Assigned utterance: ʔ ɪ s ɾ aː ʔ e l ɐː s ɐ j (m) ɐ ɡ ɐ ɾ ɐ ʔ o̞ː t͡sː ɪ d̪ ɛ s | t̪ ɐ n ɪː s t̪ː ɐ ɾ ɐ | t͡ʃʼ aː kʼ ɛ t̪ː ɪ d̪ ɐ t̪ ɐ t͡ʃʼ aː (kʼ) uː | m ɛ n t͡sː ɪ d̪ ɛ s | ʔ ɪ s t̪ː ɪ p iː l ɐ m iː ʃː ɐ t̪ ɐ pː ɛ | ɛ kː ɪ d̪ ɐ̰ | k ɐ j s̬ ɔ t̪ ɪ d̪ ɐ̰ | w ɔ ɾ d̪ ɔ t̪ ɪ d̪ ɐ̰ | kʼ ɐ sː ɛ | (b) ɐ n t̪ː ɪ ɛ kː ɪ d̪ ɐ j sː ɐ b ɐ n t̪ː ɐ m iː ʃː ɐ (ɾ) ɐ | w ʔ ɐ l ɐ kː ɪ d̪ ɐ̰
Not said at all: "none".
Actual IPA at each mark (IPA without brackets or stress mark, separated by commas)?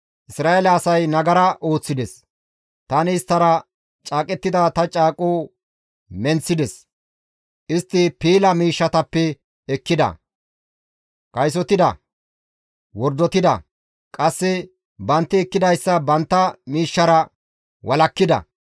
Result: n, kʼ, b, ɾ